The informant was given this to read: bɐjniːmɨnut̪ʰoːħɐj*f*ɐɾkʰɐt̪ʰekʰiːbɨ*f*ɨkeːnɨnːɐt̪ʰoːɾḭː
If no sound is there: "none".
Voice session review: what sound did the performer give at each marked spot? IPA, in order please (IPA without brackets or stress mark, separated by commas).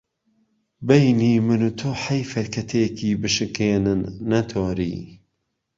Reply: f, ʃ